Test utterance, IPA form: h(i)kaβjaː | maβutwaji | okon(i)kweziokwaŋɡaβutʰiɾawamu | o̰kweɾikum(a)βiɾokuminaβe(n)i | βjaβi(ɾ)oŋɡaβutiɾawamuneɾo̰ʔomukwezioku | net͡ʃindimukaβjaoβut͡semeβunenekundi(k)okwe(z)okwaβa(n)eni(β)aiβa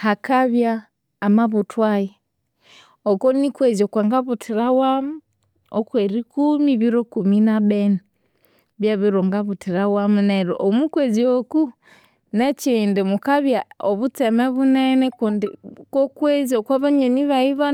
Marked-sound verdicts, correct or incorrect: incorrect, correct, incorrect, correct, correct, correct, correct, incorrect, correct

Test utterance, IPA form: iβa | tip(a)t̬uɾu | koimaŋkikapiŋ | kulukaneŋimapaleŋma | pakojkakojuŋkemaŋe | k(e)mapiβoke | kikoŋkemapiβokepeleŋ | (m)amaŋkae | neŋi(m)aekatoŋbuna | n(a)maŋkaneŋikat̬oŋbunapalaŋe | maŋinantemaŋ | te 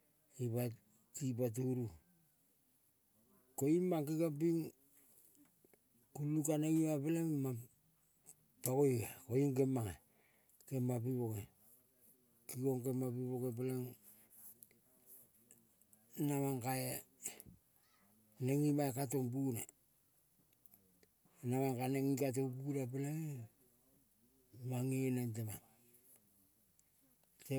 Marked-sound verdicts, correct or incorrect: correct, correct, incorrect, correct, correct

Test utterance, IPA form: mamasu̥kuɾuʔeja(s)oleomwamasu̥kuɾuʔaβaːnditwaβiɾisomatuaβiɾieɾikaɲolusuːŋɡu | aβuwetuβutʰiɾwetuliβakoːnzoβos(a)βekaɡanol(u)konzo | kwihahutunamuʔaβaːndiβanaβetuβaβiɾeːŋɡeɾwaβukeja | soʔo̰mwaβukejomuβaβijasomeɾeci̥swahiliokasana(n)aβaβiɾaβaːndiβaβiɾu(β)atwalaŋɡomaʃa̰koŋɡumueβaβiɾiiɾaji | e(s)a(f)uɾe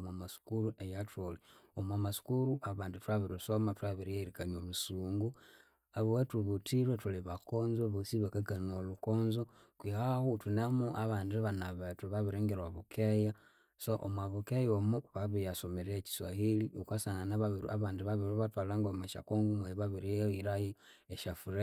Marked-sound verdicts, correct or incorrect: incorrect, incorrect, correct, correct, correct, incorrect, correct

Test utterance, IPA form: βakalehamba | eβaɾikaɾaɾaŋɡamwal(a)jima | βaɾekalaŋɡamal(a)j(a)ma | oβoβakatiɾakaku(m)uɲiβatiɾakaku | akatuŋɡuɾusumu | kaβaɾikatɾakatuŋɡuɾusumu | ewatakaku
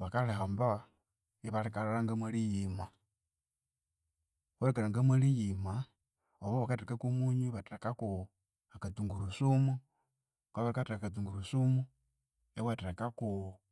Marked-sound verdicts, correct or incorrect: incorrect, incorrect, incorrect, correct

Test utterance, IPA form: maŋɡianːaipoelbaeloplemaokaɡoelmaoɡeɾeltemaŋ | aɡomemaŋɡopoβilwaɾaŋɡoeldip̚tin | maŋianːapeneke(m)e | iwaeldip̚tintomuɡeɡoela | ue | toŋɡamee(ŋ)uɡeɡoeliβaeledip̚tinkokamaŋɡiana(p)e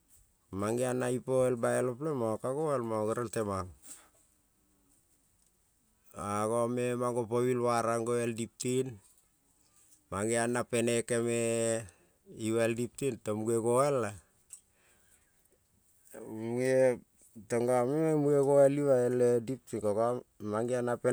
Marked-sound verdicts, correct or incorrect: correct, incorrect, correct

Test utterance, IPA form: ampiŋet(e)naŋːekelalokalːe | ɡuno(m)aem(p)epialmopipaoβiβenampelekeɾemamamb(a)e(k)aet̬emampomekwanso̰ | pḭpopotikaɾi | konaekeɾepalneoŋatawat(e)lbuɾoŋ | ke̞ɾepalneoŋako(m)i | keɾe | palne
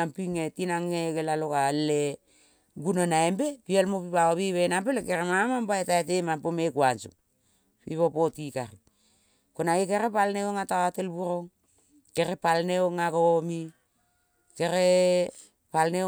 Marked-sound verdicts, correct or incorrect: incorrect, incorrect, incorrect, correct, incorrect, correct, correct

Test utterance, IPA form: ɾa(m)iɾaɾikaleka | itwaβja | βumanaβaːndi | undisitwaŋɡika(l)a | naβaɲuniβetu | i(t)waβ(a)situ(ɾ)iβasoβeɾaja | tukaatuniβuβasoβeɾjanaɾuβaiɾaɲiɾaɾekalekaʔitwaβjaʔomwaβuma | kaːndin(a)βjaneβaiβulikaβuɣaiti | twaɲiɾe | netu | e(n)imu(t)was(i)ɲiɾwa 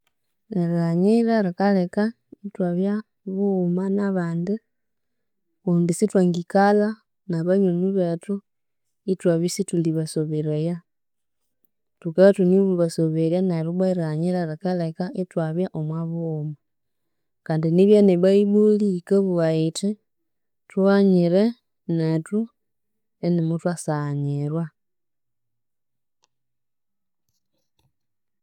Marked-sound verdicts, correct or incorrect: incorrect, correct, correct, incorrect, incorrect, incorrect, correct, correct, incorrect

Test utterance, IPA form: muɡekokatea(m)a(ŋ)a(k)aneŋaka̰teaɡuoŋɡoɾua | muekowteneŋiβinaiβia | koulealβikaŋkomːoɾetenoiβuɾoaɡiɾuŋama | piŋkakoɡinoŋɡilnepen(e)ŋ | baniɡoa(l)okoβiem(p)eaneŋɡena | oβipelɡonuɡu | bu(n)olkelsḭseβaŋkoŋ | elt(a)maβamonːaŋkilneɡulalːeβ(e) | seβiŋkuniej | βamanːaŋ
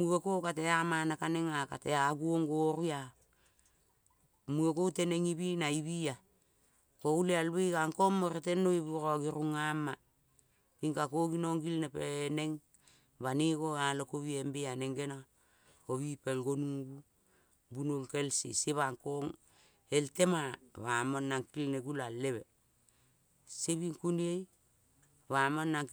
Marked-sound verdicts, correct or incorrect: correct, incorrect, correct, correct, correct, incorrect, correct, incorrect, correct

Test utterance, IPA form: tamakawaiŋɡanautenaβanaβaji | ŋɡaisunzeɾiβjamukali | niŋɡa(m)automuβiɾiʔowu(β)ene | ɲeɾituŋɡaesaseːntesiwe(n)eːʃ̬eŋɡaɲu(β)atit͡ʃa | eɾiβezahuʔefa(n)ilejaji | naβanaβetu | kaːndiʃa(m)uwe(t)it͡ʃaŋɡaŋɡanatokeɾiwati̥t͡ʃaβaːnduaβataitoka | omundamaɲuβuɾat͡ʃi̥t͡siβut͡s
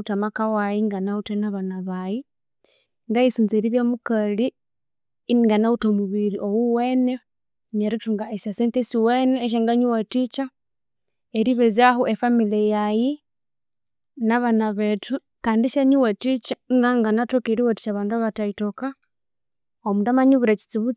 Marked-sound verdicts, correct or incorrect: incorrect, incorrect, correct, incorrect, incorrect, incorrect, correct

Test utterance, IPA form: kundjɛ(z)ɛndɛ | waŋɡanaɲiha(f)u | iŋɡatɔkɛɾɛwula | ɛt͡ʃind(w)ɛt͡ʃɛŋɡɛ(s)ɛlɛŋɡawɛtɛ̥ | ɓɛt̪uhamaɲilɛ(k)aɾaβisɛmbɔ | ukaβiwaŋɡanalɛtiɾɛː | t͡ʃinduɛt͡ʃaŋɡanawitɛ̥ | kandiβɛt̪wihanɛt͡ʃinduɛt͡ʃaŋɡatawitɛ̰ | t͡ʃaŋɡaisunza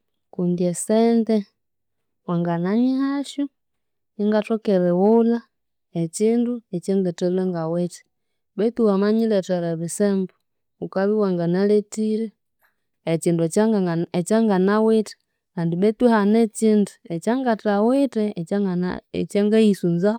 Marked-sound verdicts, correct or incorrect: incorrect, incorrect, incorrect, incorrect, incorrect

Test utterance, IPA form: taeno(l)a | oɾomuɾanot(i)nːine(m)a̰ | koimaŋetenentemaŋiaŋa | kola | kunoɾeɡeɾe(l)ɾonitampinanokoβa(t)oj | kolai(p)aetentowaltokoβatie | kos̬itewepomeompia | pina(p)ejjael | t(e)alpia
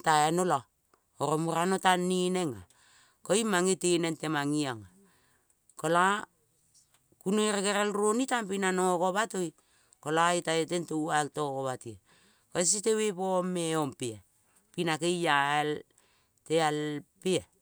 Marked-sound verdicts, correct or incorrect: correct, incorrect, incorrect, correct, correct, incorrect, incorrect, correct

